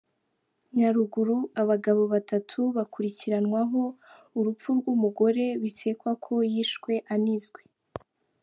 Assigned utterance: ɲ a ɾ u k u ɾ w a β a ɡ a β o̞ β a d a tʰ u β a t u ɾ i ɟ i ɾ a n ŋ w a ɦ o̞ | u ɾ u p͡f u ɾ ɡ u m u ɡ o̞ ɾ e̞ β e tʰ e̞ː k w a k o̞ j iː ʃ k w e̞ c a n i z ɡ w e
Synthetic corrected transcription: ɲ a ɾ u ɡ u ɾ u a β a ɡ a β o̞ β a t a tʰ u β a k u ɾ i c i ɾ a n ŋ w a ɦ o̞ | u ɾ u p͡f u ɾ ɡ u m u ɡ o̞ ɾ e̞ β i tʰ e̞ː k w a kʰ o̞ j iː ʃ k w e̞ ʔ a n i z ɡ w e